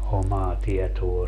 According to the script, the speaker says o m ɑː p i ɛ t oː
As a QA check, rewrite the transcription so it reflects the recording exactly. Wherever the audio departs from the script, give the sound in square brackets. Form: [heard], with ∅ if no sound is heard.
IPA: o m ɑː [t] i ɛ t oː